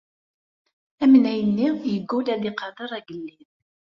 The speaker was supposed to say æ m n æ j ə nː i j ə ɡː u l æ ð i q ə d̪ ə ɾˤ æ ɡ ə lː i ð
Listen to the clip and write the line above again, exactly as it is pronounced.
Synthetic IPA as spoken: æ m n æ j ə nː i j ə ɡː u l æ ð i q ɑ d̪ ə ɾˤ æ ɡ ə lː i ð